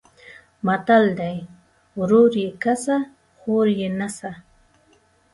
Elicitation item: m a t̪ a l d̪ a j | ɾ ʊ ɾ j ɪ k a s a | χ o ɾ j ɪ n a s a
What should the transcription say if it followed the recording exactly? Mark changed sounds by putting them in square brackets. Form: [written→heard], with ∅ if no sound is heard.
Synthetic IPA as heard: m a t̪ a l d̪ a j | ɾ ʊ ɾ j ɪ k a s a | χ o ɾ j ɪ n a s a